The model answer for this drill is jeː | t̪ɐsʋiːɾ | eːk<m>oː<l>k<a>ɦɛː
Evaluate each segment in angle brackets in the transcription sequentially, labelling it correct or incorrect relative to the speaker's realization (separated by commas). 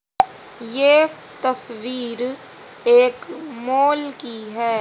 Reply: correct, correct, incorrect